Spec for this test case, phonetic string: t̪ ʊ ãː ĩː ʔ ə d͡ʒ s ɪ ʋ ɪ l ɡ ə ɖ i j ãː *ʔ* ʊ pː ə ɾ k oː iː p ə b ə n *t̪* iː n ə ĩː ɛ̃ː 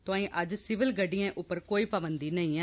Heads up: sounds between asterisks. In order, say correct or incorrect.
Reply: correct, incorrect: d̪

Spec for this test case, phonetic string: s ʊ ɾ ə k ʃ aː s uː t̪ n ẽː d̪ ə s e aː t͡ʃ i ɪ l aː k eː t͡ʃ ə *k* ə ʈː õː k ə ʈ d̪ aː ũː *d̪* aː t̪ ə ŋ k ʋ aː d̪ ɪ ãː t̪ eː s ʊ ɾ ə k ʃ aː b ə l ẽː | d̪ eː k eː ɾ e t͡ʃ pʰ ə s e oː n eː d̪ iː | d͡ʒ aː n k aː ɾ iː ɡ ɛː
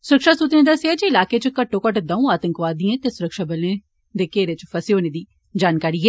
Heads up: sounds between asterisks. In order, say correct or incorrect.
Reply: correct, incorrect: none

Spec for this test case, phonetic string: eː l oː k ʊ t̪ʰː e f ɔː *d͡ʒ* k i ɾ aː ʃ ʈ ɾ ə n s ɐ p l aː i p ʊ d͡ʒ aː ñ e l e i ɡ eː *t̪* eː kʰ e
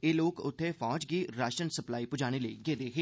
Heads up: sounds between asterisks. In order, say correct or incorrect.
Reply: correct, incorrect: d̪

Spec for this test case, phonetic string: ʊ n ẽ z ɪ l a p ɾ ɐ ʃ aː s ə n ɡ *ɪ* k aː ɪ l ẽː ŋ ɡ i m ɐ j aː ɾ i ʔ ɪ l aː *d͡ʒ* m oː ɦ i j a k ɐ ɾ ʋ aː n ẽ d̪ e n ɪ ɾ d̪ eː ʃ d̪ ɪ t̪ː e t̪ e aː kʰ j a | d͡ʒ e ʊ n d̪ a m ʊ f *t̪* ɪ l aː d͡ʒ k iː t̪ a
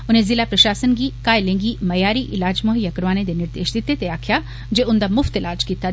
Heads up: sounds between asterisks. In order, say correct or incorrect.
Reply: incorrect: i, correct, correct

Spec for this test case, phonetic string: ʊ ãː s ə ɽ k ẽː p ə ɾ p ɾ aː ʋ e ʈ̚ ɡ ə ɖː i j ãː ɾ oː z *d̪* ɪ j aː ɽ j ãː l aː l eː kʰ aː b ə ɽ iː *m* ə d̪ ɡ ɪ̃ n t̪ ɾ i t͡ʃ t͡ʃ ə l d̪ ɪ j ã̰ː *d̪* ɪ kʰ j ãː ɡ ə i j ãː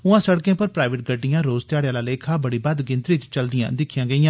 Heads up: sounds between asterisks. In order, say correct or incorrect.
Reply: incorrect: t̪, incorrect: b, correct

